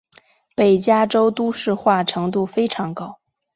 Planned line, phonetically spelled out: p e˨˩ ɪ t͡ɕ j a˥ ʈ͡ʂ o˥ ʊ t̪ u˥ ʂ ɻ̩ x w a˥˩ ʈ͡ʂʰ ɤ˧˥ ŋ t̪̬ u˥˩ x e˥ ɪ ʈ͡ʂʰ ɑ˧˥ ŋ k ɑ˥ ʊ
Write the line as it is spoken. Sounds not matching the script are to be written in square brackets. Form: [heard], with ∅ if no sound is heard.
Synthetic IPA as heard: p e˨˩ ɪ t͡ɕ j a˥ ʈ͡ʂ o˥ ʊ t̪ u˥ ʂ ɻ̩ x w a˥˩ ʈ͡ʂʰ ɤ˧˥ ŋ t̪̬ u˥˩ [f] e˥ ɪ ʈ͡ʂʰ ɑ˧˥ ŋ k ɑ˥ ʊ